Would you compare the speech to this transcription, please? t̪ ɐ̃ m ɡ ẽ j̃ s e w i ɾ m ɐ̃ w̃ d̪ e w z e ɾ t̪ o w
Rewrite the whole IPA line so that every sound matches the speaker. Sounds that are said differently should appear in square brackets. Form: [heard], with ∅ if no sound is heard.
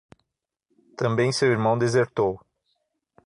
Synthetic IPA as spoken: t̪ ɐ̃ m [b] ẽ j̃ s e w i ɾ m ɐ̃ w̃ d̪ e [∅] z e ɾ t̪ o w